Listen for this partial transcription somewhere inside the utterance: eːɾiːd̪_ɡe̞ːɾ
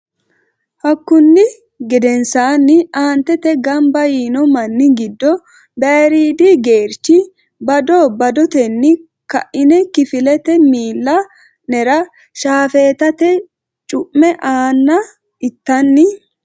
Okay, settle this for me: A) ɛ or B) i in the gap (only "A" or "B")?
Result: B